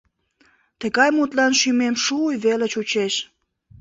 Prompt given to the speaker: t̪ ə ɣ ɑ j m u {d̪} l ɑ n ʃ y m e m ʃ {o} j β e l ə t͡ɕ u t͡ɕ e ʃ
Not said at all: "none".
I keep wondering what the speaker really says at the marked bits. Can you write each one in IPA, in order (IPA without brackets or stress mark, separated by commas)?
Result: t̪, u